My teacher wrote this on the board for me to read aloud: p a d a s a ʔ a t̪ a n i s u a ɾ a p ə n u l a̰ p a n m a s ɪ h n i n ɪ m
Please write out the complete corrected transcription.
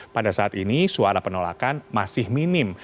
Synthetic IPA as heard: p a d a s a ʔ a t̪ i n i s u a ɾ a p ə n o l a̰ k a n m a s ɪ h m i n ɪ m